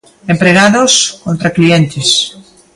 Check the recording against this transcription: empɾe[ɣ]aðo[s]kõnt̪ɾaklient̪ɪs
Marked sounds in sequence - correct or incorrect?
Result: correct, correct

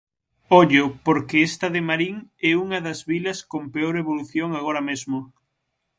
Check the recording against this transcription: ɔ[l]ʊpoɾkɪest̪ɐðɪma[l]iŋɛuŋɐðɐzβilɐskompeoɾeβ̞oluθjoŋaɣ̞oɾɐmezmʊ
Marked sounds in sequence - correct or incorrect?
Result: incorrect: ʎ, incorrect: ɾ

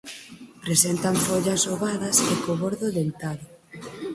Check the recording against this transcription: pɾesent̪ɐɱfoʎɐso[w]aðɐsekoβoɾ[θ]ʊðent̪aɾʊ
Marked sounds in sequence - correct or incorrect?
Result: incorrect: β, incorrect: ð

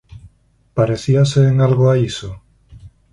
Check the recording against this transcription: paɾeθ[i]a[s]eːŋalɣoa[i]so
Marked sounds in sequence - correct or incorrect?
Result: correct, correct, correct

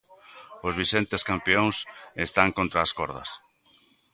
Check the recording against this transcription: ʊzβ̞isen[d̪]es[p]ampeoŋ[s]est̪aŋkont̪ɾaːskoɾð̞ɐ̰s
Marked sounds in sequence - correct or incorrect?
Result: incorrect: t̪, incorrect: k, correct

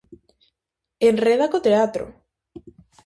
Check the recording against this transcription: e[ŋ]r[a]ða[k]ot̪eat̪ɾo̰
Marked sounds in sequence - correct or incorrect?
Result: incorrect: n, incorrect: e, correct

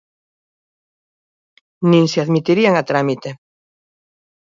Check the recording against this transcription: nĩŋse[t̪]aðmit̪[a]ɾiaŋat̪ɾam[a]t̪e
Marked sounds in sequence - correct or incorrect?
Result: incorrect: none, incorrect: i, incorrect: i

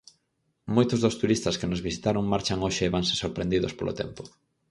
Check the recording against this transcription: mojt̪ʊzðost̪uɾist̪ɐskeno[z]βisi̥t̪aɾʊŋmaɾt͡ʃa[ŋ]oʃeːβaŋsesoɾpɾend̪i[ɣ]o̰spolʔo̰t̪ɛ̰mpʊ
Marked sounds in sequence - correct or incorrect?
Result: correct, correct, incorrect: ð

